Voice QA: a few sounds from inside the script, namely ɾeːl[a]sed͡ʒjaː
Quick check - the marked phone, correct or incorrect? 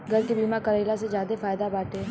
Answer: correct